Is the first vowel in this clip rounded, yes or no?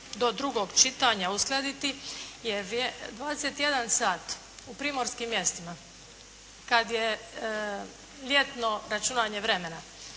yes